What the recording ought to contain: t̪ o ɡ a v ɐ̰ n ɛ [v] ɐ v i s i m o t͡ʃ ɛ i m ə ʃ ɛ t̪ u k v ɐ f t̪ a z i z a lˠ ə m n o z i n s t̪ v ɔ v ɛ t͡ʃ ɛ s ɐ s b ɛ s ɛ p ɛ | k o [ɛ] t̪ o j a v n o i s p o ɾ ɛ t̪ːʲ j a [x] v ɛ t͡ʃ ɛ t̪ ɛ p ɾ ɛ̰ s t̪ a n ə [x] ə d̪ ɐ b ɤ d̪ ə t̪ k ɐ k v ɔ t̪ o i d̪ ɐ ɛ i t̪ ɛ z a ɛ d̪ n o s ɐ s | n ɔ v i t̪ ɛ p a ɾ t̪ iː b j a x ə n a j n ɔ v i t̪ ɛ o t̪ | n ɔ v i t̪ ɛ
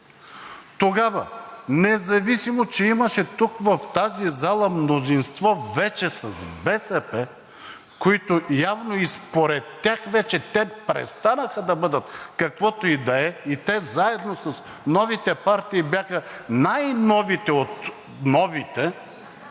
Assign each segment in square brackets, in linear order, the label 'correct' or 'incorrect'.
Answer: incorrect, incorrect, correct, correct

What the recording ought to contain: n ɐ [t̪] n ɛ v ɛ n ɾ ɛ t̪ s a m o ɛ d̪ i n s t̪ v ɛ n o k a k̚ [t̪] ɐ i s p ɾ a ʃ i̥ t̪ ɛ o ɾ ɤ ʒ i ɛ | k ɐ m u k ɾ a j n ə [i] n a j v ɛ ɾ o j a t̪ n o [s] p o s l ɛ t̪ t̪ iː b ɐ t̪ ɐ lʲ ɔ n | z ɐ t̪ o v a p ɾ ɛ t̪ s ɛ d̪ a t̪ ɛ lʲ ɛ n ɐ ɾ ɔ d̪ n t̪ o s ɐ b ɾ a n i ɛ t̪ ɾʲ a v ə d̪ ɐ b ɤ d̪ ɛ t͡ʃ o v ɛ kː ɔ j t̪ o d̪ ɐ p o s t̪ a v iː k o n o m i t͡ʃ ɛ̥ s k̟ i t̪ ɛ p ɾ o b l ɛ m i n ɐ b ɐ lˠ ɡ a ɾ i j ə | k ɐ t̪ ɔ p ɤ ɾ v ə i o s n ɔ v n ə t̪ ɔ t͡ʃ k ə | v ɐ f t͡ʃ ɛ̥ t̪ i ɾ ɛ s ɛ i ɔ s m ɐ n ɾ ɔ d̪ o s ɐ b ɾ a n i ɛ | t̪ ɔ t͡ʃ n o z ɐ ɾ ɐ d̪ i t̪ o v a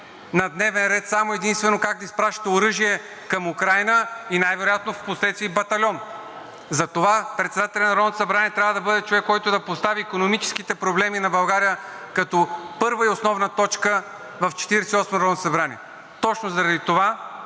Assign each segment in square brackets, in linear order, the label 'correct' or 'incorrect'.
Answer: incorrect, incorrect, correct, incorrect

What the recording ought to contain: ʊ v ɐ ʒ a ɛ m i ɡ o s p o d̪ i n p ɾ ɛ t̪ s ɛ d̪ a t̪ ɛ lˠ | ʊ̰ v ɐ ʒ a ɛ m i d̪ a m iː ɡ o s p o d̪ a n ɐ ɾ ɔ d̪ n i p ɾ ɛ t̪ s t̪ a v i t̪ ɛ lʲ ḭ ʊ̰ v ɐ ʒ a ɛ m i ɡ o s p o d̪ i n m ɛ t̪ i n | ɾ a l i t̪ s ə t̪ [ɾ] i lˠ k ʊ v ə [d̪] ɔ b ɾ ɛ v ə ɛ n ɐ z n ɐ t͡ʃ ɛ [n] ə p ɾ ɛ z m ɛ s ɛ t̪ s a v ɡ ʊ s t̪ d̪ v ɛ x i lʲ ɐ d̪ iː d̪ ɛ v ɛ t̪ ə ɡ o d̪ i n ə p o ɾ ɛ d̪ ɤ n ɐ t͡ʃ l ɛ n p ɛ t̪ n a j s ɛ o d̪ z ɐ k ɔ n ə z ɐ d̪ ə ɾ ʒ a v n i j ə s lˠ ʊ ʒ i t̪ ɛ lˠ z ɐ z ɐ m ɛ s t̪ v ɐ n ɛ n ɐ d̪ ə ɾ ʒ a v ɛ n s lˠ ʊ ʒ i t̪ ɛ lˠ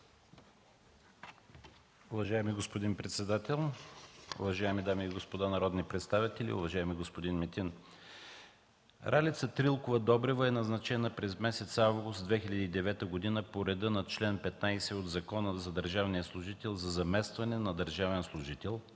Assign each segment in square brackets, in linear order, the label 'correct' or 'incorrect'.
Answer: correct, correct, correct

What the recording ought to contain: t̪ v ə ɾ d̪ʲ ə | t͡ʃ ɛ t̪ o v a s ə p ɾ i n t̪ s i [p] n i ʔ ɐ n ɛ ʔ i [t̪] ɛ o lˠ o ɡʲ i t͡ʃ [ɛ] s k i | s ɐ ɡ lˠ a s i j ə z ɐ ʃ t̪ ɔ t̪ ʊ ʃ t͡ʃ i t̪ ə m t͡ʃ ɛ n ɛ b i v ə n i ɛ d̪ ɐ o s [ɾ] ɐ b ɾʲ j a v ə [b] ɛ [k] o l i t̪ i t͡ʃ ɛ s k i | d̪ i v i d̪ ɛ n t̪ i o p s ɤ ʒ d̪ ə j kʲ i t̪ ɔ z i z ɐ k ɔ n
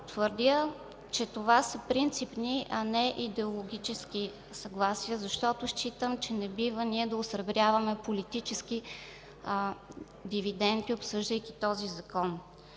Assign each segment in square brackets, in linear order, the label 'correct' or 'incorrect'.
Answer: correct, incorrect, correct, correct, incorrect, incorrect

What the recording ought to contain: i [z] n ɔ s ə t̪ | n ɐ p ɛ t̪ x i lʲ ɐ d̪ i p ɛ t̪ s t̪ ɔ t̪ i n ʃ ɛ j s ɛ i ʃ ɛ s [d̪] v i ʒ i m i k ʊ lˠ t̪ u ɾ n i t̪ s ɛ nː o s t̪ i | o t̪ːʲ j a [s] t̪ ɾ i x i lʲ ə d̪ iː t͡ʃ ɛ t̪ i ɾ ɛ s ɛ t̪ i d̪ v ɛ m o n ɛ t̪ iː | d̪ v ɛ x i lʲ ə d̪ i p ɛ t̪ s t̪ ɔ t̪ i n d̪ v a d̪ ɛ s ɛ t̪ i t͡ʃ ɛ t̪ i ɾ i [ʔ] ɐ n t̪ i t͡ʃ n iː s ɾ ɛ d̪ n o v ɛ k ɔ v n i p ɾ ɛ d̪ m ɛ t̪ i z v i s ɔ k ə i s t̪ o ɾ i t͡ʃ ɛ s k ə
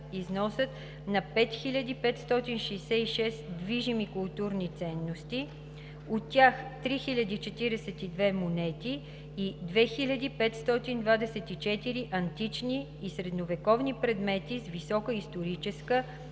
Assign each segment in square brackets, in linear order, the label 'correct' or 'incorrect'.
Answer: correct, correct, incorrect, correct

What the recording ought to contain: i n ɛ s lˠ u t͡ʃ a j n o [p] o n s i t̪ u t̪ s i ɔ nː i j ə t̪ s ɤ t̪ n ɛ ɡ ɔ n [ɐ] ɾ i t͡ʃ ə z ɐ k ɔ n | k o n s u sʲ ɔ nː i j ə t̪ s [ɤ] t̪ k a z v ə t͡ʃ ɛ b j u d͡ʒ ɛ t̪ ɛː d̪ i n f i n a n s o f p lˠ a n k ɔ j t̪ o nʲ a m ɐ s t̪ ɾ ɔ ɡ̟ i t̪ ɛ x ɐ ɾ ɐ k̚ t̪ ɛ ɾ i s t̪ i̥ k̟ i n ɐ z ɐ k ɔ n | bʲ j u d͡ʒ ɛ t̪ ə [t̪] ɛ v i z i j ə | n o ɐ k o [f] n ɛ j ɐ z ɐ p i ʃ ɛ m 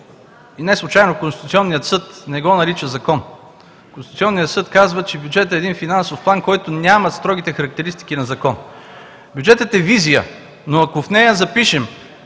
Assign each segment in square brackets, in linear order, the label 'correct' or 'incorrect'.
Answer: incorrect, correct, correct, correct, correct

